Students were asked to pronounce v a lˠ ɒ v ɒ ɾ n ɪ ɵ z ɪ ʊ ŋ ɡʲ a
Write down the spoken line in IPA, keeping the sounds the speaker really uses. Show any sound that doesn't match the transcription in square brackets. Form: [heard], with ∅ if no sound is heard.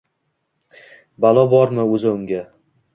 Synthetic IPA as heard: [b] a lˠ ɒ [b] ɒ ɾ [m] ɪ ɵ z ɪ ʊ ŋ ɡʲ a

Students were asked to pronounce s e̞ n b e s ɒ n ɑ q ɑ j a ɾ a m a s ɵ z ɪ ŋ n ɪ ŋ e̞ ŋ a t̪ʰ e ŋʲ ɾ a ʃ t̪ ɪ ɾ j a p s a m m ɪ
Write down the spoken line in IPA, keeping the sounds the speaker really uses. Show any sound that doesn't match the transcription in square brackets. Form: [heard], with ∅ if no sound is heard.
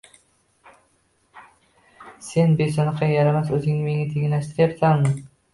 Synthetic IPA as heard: s e̞ n b e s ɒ n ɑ q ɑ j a ɾ a m a s ɵ z ɪ ŋ n ɪ [m] e̞ ŋ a t̪ʰ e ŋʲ [l] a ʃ t̪ ɪ ɾ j a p s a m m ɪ

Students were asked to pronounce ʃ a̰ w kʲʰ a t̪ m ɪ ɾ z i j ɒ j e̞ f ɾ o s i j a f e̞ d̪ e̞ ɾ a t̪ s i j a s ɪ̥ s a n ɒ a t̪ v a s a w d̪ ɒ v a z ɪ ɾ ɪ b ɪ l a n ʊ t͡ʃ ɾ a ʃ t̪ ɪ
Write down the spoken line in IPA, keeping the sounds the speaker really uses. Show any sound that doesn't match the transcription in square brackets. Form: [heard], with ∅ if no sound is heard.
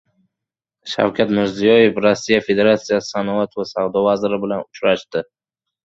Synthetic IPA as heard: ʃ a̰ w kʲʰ a t̪ m ɪ ɾ z i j ɒ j e̞ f ɾ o [sː] i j a f e̞ d̪ e̞ ɾ a t̪ s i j a s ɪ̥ s a n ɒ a t̪ v a s a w d̪ ɒ v a z ɪ ɾ ɪ b ɪ l a n ʊ t͡ʃ ɾ a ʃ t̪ ɪ

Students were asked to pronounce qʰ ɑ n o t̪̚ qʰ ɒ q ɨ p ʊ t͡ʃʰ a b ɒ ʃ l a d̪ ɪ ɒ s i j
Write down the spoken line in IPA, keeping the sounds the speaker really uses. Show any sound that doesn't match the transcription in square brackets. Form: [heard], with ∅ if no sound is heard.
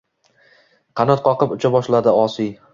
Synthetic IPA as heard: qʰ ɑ n [ɒ] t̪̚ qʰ ɒ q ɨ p ʊ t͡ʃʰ a b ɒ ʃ l a d̪ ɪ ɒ s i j

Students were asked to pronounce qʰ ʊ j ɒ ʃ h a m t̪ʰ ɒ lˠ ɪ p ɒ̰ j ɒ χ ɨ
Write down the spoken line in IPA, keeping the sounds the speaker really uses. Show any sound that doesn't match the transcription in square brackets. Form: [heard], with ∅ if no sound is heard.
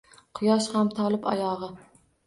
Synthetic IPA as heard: qʰ ʊ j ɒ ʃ h a m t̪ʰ ɒ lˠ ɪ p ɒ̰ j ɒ [ʁ] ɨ

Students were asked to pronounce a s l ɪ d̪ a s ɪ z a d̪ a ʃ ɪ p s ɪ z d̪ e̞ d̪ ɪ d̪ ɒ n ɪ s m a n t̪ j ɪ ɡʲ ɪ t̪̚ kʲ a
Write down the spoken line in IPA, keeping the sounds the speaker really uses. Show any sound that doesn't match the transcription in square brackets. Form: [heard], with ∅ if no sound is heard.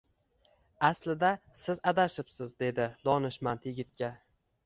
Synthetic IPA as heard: a s l ɪ d̪ a s ɪ z a d̪ a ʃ ɪ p s ɪ z d̪ e̞ d̪ ɪ d̪ ɒ n ɪ [ʃ] m a n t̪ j ɪ ɡʲ ɪ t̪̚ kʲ a

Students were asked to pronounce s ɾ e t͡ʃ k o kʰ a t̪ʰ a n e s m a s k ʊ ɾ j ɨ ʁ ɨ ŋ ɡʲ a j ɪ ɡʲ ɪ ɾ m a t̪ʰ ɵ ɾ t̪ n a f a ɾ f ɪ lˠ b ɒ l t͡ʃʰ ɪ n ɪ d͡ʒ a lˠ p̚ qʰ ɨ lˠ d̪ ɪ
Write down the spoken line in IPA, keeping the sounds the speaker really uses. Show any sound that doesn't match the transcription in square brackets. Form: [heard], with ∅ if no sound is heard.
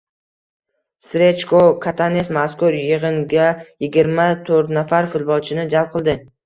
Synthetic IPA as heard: s ɾ e t͡ʃ k o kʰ a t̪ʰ a n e s m a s k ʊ ɾ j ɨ ʁ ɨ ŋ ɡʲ a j ɪ ɡʲ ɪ ɾ m a t̪ʰ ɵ ɾ t̪ n a f a ɾ f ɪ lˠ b ɒ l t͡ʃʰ ɪ n ɪ d͡ʒ a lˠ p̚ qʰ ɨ lˠ d̪ ɪ

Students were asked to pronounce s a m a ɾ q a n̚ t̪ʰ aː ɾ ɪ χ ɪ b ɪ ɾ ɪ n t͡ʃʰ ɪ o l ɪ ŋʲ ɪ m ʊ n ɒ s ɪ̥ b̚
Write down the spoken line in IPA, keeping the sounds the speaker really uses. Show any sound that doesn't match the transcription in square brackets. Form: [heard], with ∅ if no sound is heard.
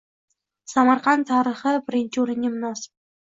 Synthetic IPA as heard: s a m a ɾ q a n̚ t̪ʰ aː ɾ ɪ χ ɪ b ɪ ɾ ɪ n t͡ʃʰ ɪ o [ɾ] ɪ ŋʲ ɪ m ʊ n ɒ s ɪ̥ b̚

